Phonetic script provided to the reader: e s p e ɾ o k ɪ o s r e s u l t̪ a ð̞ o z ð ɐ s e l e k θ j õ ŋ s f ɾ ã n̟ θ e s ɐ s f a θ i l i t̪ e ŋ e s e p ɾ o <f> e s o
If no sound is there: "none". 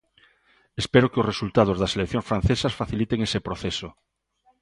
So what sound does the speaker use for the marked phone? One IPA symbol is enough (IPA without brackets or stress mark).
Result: θ